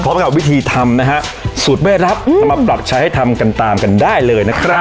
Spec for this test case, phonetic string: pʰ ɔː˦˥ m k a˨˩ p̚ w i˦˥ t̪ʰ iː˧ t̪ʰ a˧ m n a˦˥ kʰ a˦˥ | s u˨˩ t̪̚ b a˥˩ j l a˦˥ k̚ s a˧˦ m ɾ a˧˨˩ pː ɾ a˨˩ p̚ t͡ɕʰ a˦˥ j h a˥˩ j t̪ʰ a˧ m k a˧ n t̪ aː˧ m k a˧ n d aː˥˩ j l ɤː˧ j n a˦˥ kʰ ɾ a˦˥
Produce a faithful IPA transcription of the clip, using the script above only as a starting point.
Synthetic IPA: pʰ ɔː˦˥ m k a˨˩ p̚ w i˦˥ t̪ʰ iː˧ t̪ʰ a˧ m n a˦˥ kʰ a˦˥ | s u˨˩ t̪̚ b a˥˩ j ɾ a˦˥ p̚ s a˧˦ m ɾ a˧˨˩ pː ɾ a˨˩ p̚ t͡ɕʰ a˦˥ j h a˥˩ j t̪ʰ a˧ m k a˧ n t̪ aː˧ m k a˧ n d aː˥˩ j l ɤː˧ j n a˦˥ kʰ ɾ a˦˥